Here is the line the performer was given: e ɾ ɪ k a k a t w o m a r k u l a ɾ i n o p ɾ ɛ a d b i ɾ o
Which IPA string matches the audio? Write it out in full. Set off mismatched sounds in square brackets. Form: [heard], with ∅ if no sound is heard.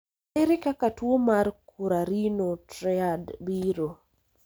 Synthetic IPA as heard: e ɾ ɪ k a k a t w o m a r k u [ɾ] a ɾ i n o [t] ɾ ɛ a d b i ɾ o